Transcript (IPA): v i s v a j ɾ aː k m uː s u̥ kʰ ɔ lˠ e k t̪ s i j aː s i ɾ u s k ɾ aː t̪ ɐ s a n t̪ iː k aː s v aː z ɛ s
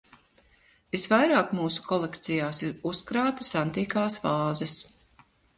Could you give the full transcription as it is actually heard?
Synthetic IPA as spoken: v i s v a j ɾ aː k m uː s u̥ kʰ ɔ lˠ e k t̪ s i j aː s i ɾ u s k ɾ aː t̪ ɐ s a n t̪ iː k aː s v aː z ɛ s